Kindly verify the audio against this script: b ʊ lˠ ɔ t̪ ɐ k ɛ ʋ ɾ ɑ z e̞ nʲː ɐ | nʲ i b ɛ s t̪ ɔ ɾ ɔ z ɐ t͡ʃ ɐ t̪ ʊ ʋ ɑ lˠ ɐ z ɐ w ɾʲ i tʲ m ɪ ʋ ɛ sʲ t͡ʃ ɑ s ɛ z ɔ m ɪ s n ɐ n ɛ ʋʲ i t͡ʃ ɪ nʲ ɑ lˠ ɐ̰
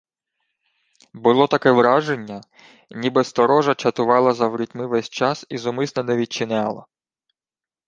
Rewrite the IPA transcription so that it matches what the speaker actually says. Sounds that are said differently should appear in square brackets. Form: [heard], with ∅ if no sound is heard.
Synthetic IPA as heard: b ʊ lˠ ɔ t̪ ɐ k ɛ ʋ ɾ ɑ [ʒ] e̞ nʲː ɐ | nʲ i b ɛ s t̪ ɔ ɾ ɔ [ʒ] ɐ t͡ʃ ɐ t̪ ʊ ʋ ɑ lˠ ɐ z ɐ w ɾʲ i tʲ m ɪ ʋ ɛ sʲ t͡ʃ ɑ s [i] z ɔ m ɪ s n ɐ n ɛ ʋʲ i t͡ʃ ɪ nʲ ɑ lˠ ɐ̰